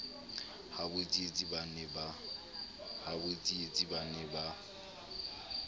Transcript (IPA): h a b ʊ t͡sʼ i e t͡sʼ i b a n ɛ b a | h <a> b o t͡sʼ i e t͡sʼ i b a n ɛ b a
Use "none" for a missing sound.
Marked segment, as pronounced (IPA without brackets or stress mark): a